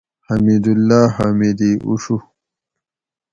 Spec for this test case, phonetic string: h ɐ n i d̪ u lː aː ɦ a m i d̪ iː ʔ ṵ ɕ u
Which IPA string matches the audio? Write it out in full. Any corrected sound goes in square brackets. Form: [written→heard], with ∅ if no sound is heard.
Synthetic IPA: h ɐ [n→m] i d̪ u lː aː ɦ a m i d̪ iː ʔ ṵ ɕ u